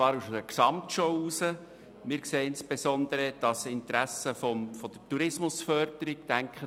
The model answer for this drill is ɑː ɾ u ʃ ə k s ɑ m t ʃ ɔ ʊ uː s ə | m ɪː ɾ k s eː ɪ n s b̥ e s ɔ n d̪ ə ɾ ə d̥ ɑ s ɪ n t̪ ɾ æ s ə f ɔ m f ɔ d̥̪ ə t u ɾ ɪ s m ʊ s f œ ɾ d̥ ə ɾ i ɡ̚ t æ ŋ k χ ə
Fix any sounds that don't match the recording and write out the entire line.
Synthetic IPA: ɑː ɾ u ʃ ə k s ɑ m t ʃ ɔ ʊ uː s ə | m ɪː ɾ k s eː ɪ n s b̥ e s ɔ n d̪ ə ɾ ə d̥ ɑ s ɪ n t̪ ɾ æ s ə f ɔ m f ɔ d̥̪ ə t u ɾ ɪ s m ʊ s f œ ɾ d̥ ə ɾ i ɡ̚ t æ ŋ k χ ə